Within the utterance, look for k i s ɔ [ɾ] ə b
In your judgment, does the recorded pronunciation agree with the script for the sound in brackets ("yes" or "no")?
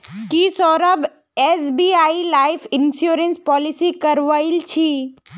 yes